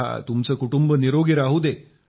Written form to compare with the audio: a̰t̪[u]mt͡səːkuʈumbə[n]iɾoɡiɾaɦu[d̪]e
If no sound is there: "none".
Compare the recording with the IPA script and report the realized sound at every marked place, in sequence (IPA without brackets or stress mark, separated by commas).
u, n, d̪